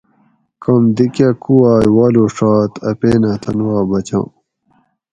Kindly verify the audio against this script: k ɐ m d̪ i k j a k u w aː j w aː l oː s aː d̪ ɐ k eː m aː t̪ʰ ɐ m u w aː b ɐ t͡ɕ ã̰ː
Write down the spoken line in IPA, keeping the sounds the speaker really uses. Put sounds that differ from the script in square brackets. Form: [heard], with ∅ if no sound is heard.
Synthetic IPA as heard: k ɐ m d̪ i k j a k u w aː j w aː l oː [ʂ] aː [t̪] ɐ [p] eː [n] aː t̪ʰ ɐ [n] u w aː b ɐ t͡ɕ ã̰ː